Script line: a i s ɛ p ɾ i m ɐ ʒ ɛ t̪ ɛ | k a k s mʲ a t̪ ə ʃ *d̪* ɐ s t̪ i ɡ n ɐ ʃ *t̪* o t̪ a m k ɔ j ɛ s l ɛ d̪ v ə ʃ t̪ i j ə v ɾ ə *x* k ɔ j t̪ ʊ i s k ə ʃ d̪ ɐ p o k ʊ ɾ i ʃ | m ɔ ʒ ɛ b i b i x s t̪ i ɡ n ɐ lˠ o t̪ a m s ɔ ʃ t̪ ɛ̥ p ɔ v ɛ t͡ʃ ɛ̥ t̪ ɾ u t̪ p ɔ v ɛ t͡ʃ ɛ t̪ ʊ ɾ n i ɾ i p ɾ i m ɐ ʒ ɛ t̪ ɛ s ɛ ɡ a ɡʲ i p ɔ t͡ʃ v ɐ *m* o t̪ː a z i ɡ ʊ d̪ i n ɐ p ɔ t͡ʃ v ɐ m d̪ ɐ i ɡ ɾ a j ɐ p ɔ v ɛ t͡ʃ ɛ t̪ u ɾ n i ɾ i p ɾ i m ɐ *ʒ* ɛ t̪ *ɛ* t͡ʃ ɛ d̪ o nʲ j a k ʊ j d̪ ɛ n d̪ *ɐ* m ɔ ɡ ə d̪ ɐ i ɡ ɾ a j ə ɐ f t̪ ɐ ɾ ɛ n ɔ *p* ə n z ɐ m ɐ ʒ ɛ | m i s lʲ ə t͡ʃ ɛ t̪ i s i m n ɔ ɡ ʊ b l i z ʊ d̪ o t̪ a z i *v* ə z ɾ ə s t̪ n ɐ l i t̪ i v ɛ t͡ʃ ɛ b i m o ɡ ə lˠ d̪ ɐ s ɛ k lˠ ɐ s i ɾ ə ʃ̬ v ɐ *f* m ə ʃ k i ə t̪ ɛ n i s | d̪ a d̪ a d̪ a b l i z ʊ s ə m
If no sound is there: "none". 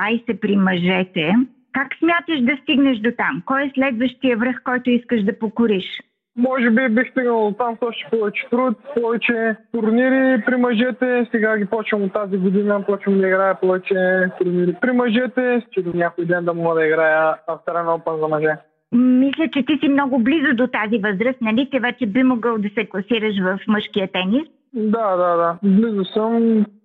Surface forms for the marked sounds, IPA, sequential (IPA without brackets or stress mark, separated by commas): d̪, d̪, x, m, ʒ, ɛ, ɐ, p, v, f